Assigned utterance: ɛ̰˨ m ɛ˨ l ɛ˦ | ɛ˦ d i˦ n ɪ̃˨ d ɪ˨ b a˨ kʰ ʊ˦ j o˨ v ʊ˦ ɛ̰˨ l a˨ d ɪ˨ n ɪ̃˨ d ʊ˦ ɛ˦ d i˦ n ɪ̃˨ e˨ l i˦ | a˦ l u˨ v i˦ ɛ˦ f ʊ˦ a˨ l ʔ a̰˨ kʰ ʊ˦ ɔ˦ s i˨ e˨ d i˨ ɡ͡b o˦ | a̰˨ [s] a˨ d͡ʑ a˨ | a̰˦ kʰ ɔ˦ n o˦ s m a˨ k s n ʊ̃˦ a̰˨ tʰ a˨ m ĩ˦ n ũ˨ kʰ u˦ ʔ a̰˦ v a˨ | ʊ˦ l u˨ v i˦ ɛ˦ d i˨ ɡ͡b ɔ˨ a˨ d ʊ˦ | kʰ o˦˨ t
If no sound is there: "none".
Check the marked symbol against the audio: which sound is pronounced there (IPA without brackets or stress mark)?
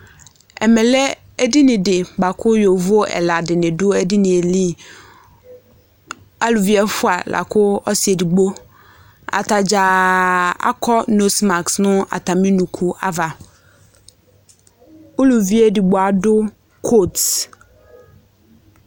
t